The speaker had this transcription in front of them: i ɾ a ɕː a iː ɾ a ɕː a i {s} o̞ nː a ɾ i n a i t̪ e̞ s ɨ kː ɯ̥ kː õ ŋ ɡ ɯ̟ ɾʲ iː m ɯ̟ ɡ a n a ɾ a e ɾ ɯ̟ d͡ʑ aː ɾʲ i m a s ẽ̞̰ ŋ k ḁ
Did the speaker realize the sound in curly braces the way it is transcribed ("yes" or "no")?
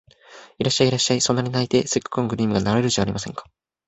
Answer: yes